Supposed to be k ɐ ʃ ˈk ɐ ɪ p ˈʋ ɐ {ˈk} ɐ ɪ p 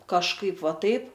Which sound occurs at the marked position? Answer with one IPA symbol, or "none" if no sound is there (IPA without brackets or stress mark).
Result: t